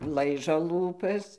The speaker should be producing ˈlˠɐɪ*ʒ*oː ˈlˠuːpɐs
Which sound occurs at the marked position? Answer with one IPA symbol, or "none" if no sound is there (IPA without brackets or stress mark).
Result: ʒ